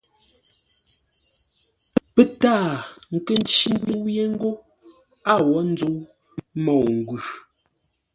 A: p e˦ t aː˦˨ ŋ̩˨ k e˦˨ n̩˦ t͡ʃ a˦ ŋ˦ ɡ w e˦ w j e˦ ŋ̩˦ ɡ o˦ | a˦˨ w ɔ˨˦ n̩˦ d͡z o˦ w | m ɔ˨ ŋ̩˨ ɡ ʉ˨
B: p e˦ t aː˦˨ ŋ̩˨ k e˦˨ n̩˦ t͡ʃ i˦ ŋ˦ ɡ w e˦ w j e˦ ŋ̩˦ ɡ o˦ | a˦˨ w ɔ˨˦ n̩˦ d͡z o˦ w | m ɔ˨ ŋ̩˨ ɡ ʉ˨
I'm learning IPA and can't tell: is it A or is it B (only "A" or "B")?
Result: B